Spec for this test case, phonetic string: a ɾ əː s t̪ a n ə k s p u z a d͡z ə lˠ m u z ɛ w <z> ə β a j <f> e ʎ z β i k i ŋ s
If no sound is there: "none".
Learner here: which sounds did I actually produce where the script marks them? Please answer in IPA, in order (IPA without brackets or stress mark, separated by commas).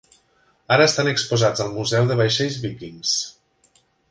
ð, ʃ